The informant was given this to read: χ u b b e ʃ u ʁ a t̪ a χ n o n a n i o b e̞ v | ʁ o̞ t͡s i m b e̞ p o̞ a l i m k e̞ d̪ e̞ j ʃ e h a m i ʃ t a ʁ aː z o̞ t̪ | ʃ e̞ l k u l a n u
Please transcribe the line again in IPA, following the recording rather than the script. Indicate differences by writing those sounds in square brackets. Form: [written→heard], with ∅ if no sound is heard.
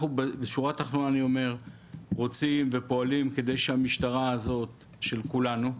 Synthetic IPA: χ u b b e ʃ u ʁ a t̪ a χ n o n a n i o [b→m] e̞ [v→ʁ] | ʁ o̞ t͡s i m [b→v] e̞ p o̞ a l i m k e̞ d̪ e̞ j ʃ e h a m i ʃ t a ʁ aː z o̞ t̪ | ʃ e̞ l k u l a n u

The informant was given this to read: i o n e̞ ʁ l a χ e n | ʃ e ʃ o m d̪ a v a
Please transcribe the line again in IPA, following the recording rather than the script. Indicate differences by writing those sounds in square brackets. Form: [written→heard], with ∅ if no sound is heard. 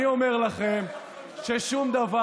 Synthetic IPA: i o [n→m] e̞ ʁ l a χ e [n→m] | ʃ e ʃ [o→u] m d̪ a v a

